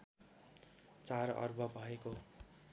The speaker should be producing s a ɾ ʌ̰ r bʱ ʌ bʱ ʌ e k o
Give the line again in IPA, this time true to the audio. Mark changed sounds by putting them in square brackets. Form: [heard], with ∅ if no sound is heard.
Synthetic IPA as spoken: [t͡s] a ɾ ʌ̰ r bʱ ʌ bʱ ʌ e k o